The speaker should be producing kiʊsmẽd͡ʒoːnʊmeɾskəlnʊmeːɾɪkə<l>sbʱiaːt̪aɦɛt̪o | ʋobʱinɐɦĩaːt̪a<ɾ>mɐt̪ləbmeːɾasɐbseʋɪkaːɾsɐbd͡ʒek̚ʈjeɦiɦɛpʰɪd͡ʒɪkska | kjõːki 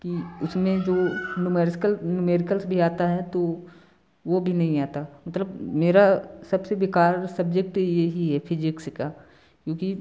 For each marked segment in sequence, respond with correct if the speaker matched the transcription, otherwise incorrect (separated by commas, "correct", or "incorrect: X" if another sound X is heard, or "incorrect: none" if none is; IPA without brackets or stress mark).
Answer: correct, incorrect: none